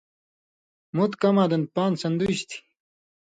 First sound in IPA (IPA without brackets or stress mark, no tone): m